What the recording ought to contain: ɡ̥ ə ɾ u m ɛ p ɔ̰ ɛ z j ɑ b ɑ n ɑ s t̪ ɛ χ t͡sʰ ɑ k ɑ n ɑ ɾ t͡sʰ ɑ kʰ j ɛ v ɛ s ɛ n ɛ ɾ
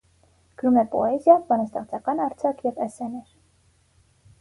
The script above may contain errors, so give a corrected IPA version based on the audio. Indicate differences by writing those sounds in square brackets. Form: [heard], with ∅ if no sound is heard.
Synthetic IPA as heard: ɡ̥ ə ɾ u m ɛ p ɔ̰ ɛ z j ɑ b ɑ n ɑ s t̪ ɛ χ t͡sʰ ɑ k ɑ n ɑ ɾ t͡sʰ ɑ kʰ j ɛ v ɛ s ɛ n ɛ ɾ